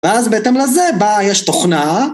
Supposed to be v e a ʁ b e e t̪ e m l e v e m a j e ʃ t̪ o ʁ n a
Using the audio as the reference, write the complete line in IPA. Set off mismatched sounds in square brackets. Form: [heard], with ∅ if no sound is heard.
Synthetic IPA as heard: v e a [z] b e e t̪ e m l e [z] e [b] a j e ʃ t̪ o [χ] n a